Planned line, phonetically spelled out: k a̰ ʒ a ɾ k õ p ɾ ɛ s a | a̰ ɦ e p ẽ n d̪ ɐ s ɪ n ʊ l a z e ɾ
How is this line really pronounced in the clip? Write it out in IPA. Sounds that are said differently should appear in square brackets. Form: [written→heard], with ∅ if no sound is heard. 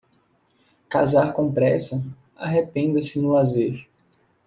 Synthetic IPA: k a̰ [ʒ→z] a ɾ k õ p ɾ ɛ s [a→ɐ] | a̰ ɦ e p ẽ n d̪ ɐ s ɪ n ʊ l a z e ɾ